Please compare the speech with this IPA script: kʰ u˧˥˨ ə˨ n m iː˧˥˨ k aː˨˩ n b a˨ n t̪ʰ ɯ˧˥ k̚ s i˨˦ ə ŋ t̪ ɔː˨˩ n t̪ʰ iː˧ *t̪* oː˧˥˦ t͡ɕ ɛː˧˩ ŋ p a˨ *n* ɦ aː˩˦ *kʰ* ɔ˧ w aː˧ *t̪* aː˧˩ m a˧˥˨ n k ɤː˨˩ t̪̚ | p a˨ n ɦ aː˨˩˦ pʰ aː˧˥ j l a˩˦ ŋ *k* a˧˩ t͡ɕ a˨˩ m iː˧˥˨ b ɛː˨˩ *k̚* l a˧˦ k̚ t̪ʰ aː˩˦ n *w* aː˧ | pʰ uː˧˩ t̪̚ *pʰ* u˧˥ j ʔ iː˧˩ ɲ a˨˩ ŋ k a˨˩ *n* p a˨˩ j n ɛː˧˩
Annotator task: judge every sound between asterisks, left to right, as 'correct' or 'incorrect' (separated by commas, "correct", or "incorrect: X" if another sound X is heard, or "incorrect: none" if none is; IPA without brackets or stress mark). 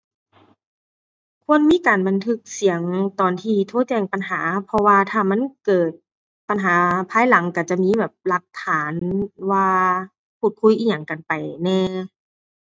incorrect: t̪ʰ, correct, incorrect: pʰ, incorrect: t̪ʰ, correct, incorrect: p̚, correct, incorrect: kʰ, correct